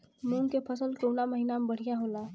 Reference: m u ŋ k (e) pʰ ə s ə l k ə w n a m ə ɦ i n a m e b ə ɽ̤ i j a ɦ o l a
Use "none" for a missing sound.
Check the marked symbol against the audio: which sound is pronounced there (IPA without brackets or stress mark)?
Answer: e